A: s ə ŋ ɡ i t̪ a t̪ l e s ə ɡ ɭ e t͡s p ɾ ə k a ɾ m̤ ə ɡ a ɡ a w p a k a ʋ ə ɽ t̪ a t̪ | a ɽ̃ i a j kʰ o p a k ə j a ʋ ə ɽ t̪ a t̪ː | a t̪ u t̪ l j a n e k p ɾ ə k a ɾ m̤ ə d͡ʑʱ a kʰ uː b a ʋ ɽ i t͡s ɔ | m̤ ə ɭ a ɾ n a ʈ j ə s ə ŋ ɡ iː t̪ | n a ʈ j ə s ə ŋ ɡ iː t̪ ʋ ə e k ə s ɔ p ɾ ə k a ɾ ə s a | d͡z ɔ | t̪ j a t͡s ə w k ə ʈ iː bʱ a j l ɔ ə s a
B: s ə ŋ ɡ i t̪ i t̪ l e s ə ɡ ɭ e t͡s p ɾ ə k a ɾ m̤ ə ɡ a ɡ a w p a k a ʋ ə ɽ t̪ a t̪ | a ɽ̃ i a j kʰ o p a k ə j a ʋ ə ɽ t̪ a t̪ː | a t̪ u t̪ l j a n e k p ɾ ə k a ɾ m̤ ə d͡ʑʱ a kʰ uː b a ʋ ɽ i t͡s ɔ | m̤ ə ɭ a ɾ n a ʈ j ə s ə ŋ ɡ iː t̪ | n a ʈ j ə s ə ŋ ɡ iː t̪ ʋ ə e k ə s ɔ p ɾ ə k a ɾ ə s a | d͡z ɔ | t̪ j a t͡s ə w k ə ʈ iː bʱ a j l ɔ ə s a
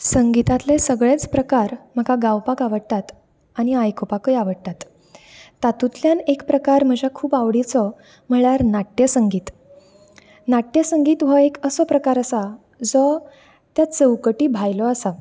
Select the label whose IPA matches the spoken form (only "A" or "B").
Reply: A